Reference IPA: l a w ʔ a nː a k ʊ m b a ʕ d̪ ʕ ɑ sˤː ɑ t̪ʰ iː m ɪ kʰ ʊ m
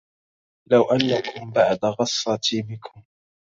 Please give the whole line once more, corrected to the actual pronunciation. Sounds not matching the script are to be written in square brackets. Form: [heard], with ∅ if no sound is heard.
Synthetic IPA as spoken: l a w ʔ a nː a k ʊ m b a ʕ d̪ [ɣ] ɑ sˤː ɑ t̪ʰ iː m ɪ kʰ ʊ m